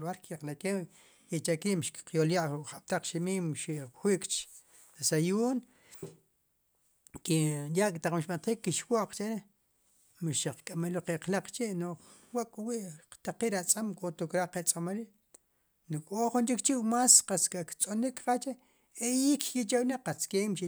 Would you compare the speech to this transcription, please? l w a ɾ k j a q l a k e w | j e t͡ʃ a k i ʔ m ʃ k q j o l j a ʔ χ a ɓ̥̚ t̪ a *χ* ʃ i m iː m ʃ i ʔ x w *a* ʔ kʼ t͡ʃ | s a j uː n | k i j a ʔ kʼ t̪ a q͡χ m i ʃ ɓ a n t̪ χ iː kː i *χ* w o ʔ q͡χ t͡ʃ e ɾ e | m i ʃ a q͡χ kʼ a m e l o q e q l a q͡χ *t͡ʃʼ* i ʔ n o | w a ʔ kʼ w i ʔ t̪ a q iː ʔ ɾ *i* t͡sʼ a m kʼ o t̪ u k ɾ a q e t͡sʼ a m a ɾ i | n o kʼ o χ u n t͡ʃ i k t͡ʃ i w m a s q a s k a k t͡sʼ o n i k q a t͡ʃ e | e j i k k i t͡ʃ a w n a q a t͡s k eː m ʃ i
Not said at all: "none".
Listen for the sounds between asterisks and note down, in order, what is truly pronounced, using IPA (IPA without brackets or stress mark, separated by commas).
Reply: q͡χ, i, ʃ, t͡ʃ, a